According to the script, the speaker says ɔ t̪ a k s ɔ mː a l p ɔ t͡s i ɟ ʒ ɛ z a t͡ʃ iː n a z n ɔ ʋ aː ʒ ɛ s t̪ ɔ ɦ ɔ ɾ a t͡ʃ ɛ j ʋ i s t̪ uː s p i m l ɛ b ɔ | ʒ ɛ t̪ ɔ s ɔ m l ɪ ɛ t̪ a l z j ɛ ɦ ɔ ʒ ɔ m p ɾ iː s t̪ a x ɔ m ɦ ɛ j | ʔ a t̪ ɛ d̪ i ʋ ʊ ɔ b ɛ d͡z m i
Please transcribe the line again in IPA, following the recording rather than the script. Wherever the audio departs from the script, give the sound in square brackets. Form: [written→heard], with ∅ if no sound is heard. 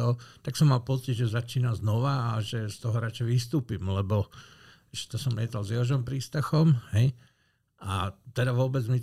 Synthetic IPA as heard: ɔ t̪ a k s ɔ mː a l p ɔ t͡s i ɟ ʒ ɛ z a t͡ʃ iː n a z n ɔ ʋ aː ʒ ɛ s t̪ ɔ ɦ ɔ ɾ a t͡ʃ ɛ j ʋ i s t̪ uː [s→∅] p i m l ɛ b ɔ | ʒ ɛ t̪ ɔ s ɔ m l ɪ ɛ t̪ a l z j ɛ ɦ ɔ ʒ ɔ m p ɾ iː s t̪ a x ɔ m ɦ ɛ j | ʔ a t̪ ɛ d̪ [i→a] ʋ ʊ ɔ b ɛ d͡z m i